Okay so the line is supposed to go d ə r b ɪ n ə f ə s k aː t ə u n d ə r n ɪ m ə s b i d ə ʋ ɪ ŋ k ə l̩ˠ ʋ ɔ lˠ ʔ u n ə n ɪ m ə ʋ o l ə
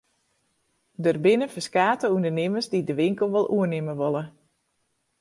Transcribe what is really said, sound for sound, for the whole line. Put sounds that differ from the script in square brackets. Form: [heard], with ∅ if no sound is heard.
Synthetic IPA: d ə r b ɪ n ə f ə s k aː t ə u n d ə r n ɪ m ə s [d] i d ə ʋ ɪ ŋ k ə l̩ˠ ʋ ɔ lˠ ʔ u [∅] ə n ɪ m ə ʋ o l ə